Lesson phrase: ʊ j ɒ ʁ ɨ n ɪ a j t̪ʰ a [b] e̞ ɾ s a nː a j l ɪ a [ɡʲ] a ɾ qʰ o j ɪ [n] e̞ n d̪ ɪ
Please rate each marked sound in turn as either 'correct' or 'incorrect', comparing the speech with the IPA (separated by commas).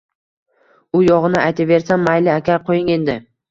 incorrect, incorrect, incorrect